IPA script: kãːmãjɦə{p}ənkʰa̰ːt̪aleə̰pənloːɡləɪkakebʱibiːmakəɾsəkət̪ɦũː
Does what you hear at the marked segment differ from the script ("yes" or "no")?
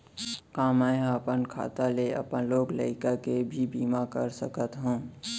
no